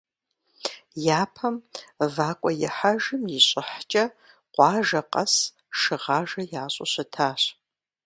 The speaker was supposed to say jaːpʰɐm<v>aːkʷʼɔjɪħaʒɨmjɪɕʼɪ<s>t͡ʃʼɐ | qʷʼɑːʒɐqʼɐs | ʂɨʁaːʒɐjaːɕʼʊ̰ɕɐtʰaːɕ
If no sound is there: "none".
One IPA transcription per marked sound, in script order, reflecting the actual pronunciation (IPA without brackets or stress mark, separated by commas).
v, ħ